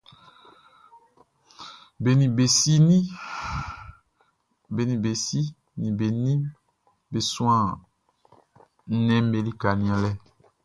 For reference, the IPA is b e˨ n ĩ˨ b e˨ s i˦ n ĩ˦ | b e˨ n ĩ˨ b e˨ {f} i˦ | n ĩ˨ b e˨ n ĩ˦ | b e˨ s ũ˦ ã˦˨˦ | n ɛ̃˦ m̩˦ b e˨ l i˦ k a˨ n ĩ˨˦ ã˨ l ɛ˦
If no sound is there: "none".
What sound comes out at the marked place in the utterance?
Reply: s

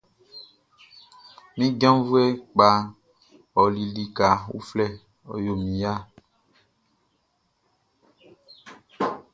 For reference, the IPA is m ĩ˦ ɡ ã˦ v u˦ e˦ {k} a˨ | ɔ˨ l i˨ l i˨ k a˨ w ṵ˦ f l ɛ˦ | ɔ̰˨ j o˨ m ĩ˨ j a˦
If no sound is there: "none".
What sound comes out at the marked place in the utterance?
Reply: k͡p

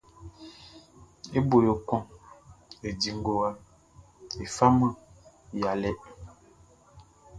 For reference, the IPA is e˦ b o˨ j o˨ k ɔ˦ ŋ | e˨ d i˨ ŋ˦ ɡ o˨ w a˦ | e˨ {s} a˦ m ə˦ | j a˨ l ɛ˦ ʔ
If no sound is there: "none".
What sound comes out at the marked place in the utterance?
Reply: f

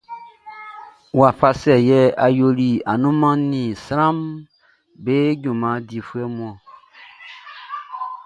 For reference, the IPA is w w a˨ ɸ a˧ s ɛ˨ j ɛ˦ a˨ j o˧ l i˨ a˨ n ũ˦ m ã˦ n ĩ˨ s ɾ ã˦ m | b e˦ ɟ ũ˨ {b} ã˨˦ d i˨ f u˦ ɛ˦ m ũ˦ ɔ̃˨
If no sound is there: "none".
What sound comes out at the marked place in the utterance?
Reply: m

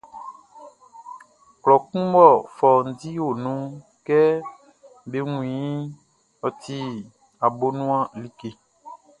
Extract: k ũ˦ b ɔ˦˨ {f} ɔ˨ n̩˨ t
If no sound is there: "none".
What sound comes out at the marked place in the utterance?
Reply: f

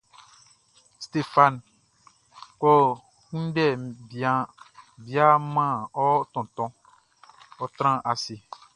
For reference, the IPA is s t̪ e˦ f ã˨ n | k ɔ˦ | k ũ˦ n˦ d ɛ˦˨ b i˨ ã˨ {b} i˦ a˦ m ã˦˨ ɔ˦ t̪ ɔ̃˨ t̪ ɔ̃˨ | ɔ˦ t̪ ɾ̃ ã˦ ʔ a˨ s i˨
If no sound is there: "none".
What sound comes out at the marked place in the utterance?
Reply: b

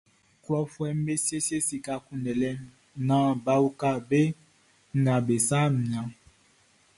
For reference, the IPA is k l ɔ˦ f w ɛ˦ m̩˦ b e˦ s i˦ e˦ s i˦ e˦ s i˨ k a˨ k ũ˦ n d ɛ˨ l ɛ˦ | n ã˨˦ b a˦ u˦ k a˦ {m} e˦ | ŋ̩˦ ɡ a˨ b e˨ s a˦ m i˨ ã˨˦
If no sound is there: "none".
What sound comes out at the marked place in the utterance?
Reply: b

